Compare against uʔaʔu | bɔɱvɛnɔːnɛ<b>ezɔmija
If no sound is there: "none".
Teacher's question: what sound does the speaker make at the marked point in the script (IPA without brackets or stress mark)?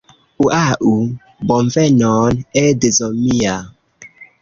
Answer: d